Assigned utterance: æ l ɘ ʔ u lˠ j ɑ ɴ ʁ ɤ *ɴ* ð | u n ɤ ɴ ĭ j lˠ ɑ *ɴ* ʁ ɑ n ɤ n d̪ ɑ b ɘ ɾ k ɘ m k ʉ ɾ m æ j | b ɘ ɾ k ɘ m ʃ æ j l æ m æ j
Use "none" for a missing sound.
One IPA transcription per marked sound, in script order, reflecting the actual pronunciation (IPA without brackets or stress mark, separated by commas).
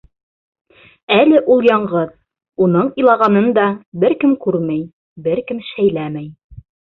none, none